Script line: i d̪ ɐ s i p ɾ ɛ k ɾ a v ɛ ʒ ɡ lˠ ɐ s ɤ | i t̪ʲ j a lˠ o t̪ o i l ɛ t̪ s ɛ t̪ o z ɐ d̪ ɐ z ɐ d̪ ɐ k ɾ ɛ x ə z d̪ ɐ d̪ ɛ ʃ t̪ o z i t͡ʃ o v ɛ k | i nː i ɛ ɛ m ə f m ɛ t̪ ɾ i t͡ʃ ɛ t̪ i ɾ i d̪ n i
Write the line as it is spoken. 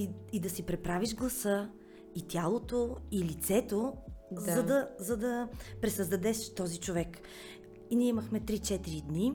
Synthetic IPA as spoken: i d̪ ɐ s i p ɾ ɛ p ɾ a v i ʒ ɡ lˠ ɐ s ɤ | i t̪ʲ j a lˠ o t̪ o i l i t̪ s ɛ t̪ o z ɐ d̪ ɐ z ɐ d̪ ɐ p ɾ ɛ s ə z d̪ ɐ d̪ ɛ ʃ t̪ ɔ z i t͡ʃ o v ɛ k | i n i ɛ i m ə x m ɛ t̪ ɾ i t͡ʃ ɛ t̪ i ɾ i d̪ n i